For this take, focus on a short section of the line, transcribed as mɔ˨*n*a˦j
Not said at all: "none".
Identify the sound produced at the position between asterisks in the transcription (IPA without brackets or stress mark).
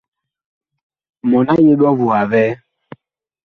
n